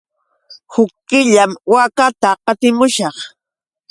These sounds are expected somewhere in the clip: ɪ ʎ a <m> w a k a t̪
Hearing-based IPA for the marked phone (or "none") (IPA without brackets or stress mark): m